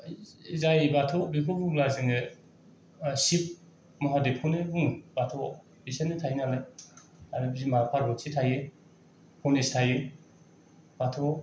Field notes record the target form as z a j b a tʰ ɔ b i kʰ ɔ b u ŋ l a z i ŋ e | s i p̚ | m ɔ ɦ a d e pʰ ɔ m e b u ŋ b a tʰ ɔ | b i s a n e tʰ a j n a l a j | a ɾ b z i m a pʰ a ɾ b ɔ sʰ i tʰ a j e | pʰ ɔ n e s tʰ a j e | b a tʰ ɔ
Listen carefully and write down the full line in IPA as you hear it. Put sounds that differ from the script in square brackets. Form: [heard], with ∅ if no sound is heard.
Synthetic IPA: z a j b a tʰ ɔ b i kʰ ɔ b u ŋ l a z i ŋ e | s i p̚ | m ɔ ɦ a d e pʰ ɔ [n] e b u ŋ b a tʰ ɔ | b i s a n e tʰ a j n a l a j | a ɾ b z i m a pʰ a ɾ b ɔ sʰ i tʰ a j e | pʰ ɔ n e s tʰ a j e | b a tʰ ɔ